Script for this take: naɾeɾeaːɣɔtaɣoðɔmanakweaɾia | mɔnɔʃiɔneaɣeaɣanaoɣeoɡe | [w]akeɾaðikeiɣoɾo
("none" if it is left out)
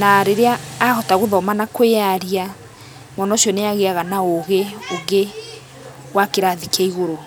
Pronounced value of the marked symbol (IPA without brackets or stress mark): w